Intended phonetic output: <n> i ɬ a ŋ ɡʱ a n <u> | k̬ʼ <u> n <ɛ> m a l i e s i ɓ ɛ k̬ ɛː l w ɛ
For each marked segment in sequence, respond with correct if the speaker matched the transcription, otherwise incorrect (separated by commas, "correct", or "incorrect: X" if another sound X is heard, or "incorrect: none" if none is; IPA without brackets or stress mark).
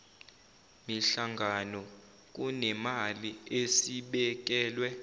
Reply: incorrect: m, incorrect: ɔ, correct, correct